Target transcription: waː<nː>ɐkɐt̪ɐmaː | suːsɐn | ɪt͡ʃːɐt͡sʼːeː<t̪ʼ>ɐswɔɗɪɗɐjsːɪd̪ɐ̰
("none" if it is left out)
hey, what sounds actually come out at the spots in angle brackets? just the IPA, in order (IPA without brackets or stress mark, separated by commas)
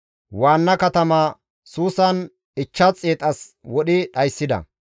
nː, t̪ʼ